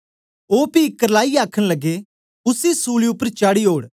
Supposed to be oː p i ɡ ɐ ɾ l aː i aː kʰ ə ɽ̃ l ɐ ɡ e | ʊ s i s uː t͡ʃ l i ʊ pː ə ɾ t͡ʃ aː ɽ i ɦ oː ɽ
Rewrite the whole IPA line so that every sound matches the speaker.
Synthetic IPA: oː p i k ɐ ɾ l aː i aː kʰ ə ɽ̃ l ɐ ɡ e | ʊ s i s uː l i ʊ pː ə ɾ t͡ʃ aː ɽ i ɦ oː ɽ